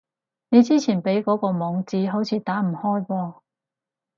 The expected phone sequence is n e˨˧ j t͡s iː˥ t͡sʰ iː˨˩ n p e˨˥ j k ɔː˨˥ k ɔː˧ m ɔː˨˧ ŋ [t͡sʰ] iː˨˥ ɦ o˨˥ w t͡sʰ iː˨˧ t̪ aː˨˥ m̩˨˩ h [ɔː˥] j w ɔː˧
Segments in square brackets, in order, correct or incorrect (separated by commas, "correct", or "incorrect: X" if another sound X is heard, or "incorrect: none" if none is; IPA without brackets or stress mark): incorrect: t͡s, correct